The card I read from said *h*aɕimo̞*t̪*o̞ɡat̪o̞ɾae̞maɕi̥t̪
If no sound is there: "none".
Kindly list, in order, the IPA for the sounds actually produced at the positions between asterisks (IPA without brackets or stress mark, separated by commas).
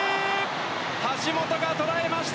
h, t̪